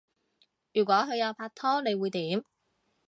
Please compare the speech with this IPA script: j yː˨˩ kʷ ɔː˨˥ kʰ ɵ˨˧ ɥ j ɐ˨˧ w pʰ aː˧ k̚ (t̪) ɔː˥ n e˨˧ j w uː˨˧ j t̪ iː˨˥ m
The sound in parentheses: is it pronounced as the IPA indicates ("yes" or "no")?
no